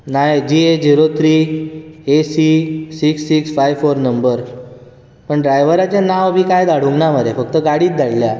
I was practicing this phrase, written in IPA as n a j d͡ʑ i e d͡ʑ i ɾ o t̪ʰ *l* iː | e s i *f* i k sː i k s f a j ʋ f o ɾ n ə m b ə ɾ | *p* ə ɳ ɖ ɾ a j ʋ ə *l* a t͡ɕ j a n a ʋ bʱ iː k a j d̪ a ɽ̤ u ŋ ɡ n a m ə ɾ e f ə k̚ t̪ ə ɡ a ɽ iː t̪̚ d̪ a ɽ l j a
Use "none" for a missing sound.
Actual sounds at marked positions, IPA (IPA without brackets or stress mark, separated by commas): ɾ, s, p, ɾ